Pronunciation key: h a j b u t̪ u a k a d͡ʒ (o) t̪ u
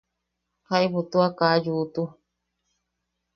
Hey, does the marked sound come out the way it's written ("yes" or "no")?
no